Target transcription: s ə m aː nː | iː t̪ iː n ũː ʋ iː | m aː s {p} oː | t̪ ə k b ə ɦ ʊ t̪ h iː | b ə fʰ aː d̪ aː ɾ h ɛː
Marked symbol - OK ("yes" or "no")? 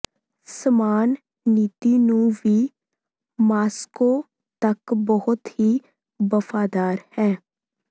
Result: no